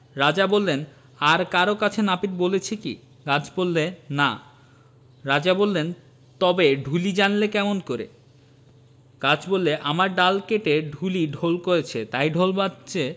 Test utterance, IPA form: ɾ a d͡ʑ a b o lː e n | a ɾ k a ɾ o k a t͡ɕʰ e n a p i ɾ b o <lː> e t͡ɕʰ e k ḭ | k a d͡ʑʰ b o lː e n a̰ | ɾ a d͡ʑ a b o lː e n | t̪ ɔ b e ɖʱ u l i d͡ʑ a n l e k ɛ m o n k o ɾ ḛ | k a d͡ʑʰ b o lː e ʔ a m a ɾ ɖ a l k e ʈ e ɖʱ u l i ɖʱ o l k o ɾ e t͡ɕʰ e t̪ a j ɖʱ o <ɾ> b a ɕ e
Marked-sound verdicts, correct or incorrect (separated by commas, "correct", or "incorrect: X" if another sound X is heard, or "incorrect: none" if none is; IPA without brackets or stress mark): incorrect: l, incorrect: l